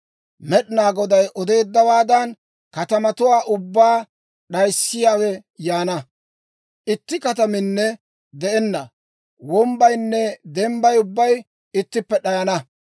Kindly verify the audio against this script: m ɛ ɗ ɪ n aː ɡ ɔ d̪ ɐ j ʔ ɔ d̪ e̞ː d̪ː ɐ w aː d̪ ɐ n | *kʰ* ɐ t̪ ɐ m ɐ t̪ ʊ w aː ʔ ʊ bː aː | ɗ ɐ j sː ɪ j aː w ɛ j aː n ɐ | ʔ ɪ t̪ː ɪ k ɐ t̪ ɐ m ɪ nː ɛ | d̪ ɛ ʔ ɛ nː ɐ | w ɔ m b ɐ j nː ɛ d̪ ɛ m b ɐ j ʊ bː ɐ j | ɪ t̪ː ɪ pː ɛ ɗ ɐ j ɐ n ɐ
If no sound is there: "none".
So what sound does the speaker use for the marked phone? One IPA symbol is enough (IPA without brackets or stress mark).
k